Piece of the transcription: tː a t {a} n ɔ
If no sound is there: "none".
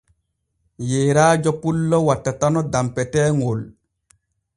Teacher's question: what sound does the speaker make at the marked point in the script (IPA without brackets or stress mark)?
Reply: a